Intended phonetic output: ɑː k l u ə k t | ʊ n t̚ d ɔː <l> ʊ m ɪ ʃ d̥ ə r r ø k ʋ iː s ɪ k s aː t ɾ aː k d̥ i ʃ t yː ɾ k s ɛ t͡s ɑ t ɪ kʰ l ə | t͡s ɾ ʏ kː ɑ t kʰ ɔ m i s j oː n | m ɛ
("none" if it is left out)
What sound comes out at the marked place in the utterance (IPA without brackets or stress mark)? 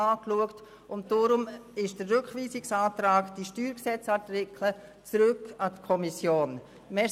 ɾ